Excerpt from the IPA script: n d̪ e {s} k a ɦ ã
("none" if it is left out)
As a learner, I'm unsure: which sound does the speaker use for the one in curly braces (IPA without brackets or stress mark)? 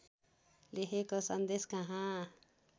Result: s